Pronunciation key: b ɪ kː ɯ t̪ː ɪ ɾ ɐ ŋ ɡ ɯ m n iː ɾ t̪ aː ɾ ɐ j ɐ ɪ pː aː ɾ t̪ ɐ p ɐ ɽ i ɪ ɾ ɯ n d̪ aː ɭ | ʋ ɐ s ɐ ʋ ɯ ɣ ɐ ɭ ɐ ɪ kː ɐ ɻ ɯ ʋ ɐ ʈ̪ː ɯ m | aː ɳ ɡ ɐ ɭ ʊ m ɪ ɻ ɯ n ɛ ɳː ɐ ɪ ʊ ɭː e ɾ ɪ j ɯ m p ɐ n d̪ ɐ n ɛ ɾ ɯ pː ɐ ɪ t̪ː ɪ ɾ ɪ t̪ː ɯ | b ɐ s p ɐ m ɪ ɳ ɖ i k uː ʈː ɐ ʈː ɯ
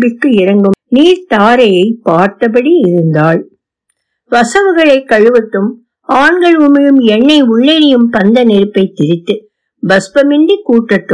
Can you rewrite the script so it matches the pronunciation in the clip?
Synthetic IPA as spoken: b ɪ kː ɯ ɪ ɾ ɐ ŋ ɡ ɯ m n iː ɾ t̪ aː ɾ ɐ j ɐ ɪ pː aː ɾ t̪ ɐ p ɐ ɽ i ɪ ɾ ɯ n d̪ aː ɭ | ʋ ɐ s ɐ ʋ ɯ ɣ ɐ ɭ ɐ ɪ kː ɐ ɻ ɯ ʋ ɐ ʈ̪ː ɯ m | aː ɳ ɡ ɐ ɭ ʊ m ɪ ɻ ɯ m ɛ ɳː ɐ ɪ ʊ ɭː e ɾ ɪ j ɯ m p ɐ n d̪ ɐ n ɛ ɾ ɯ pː ɐ ɪ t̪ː ɪ ɾ ɪ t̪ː ɯ | b ɐ s p ɐ m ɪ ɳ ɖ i k uː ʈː ɐ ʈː ɯ